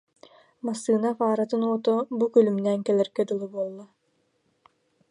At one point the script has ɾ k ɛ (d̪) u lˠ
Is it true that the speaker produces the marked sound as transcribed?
yes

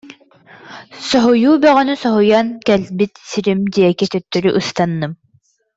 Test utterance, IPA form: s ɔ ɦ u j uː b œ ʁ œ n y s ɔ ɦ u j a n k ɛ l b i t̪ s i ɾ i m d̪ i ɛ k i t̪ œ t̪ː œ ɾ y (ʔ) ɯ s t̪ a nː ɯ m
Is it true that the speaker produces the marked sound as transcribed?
yes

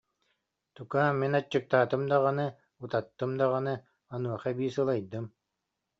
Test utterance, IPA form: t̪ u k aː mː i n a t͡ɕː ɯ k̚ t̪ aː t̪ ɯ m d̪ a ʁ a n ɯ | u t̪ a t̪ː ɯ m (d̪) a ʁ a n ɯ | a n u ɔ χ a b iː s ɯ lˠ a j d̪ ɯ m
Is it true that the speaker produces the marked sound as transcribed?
yes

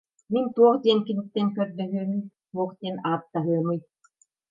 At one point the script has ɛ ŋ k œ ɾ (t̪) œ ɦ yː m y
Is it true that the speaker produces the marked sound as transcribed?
no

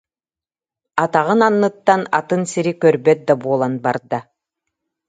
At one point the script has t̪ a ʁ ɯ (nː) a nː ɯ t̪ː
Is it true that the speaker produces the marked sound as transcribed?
no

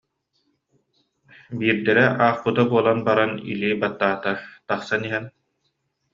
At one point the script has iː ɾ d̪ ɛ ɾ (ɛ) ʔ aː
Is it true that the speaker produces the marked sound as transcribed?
yes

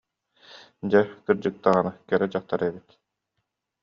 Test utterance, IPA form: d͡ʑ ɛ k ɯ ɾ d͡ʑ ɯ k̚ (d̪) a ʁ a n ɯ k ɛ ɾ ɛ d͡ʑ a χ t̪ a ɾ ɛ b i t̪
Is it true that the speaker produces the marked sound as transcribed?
no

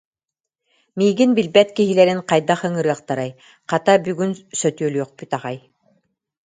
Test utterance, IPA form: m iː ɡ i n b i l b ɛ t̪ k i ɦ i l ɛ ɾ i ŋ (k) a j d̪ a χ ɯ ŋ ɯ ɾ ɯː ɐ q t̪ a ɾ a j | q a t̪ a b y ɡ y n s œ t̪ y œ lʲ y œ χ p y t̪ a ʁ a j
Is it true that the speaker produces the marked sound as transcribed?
no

